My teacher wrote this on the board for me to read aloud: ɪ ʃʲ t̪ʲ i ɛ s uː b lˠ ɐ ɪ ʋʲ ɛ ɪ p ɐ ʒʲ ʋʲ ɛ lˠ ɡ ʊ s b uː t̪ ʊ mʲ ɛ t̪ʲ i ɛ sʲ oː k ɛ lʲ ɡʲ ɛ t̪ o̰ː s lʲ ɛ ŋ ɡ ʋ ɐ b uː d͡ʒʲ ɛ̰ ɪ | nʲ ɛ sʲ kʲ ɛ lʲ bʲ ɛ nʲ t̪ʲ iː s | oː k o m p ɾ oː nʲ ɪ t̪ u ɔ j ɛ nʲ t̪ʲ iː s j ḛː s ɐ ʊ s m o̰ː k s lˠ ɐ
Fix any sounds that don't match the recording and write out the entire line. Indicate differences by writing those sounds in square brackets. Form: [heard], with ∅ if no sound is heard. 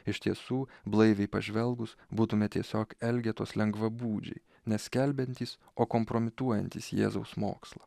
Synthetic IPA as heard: ɪ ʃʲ t̪ʲ i ɛ s uː b lˠ ɐ ɪ ʋʲ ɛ ɪ p ɐ ʒʲ ʋʲ ɛ lˠ ɡ ʊ s b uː t̪ ʊ mʲ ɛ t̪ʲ i ɛ sʲ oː k ɛ lʲ ɡʲ ɛ t̪ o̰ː s lʲ ɛ ŋ ɡ ʋ ɐ b uː d͡ʒʲ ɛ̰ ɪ | nʲ ɛ sʲ kʲ ɛ lʲ bʲ ɛ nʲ t̪ʲ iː s | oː k o m p ɾ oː [mʲ] ɪ t̪ u ɔ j ɛ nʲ t̪ʲ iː s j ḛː [z] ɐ ʊ s m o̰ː k s lˠ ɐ